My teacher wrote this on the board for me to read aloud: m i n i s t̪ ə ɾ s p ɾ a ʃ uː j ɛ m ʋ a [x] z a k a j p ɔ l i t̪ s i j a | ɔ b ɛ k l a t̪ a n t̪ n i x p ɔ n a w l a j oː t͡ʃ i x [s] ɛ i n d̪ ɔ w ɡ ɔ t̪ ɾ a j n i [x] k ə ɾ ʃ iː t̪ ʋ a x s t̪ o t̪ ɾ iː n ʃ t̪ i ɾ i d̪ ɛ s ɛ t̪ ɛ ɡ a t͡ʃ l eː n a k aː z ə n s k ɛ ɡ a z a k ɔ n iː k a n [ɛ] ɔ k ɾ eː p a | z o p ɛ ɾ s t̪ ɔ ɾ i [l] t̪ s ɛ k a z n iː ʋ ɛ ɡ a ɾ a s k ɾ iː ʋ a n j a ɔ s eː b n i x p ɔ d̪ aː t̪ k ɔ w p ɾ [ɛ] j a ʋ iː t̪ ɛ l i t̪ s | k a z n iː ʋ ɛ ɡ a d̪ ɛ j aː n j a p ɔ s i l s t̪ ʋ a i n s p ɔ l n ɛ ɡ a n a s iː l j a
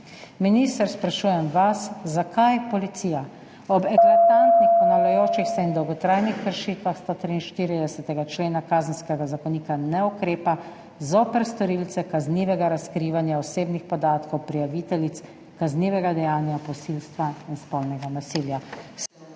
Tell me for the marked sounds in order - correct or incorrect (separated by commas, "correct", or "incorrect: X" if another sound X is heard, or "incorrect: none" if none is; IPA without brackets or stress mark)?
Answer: incorrect: s, correct, correct, correct, correct, incorrect: i